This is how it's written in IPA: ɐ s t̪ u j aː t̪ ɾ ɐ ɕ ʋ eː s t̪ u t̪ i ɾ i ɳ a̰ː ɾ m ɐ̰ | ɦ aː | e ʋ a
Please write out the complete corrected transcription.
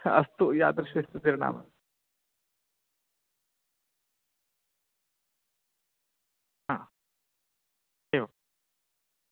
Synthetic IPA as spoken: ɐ s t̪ u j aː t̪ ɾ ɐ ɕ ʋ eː s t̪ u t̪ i ɾ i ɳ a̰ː m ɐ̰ | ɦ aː | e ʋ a